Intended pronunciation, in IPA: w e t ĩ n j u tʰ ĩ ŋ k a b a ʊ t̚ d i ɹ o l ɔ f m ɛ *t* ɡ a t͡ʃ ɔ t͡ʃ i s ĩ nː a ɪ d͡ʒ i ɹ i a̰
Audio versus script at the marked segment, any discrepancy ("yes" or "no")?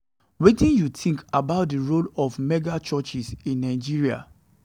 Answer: yes